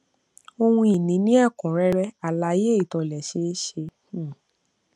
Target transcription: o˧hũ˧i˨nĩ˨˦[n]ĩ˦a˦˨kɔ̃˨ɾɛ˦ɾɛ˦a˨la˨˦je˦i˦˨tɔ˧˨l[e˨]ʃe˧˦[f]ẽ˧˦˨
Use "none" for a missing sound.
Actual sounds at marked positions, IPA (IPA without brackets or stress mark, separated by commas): n, ɛ˨, ʃ